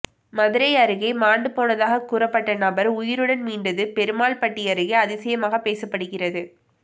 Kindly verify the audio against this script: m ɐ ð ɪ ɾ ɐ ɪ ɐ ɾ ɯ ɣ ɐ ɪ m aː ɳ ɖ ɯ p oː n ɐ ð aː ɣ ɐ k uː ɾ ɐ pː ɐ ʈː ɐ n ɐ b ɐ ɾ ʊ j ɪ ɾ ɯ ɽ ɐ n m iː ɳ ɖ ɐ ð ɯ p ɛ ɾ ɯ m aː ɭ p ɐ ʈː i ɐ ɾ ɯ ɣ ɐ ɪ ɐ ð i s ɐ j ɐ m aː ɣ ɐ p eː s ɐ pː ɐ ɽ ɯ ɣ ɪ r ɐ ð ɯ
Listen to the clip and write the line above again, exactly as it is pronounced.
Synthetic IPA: m ɐ ð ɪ ɾ ɐ ɪ ɐ ɾ ɯ ɣ ɐ ɪ m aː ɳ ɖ ɯ p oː n ɐ ð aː ɣ ɐ k uː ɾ ɐ pː ɐ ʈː ɐ n ɐ b ɐ ɾ ʊ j ɪ ɾ ɯ ɽ ɐ n m iː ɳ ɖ ɐ ð ɯ p ɛ ɾ ɯ m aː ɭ p ɐ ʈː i ɐ ɾ ɯ ɣ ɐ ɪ ɐ ð ɪ s ɐ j ɐ m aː ɣ ɐ p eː s ɐ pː ɐ ɽ ɯ ɣ ɪ r ɐ ð ɯ

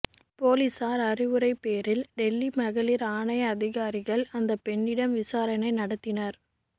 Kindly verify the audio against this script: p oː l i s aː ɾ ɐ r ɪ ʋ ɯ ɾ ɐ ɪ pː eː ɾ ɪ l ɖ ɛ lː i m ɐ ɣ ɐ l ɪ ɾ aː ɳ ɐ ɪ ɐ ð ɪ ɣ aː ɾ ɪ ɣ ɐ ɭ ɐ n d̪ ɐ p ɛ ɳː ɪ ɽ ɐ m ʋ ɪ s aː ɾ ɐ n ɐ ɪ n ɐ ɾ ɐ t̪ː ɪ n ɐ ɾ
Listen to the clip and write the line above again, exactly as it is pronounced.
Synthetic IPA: p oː l i s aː ɾ ɐ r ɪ ʋ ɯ ɾ ɐ ɪ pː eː ɾ ɪ l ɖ ɛ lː i m ɐ ɣ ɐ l ɪ ɾ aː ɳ ɐ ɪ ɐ ð ɪ ɣ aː ɾ ɪ ɣ ɐ ɭ ɐ n d̪ ɐ p ɛ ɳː ɪ ɽ ɐ m ʋ ɪ s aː ɾ ɐ n ɐ ɪ n ɐ ɽ ɐ t̪ː ɪ n ɐ ɾ

